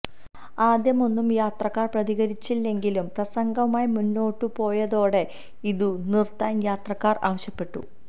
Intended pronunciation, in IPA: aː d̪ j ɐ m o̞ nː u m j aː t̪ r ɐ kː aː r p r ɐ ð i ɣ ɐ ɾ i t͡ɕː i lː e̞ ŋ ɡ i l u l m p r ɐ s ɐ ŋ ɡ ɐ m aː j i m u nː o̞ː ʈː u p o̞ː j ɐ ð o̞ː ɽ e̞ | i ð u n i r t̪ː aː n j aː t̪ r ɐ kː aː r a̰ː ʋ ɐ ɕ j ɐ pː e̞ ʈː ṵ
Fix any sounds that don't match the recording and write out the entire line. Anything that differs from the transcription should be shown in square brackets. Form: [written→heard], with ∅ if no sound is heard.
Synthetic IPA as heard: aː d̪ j ɐ m o̞ nː u m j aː t̪ r ɐ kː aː r p r ɐ ð i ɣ ɐ ɾ i t͡ɕː i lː e̞ ŋ ɡ i l u [l→∅] m p r ɐ s ɐ ŋ ɡ ɐ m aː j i m u nː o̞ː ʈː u p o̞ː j ɐ ð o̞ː ɽ e̞ | i ð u n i r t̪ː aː n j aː t̪ r ɐ kː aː r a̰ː ʋ ɐ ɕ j ɐ pː e̞ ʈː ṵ